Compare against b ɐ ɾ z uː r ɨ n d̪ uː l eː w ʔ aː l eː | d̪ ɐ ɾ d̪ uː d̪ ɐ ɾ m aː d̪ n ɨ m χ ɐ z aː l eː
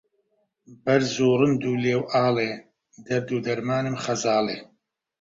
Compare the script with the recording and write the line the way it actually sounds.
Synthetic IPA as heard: b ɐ ɾ z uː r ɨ n d̪ uː l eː w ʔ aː l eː | d̪ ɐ ɾ d̪ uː d̪ ɐ ɾ m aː n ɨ m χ ɐ z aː l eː